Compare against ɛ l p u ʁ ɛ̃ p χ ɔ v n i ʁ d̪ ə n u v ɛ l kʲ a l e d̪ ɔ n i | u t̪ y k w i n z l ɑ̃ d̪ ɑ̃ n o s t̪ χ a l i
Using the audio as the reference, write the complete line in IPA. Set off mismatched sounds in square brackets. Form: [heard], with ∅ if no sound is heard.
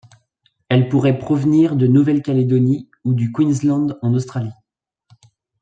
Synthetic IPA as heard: ɛ l p u ʁ [ɛ] p χ ɔ v n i ʁ d̪ ə n u v ɛ l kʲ a l e d̪ ɔ n i | u [d̪] y k w i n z l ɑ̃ d̪ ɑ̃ n o s t̪ χ a l i